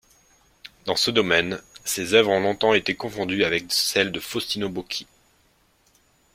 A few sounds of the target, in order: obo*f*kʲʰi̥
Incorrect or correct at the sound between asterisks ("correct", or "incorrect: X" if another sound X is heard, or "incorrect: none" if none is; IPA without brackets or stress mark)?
incorrect: none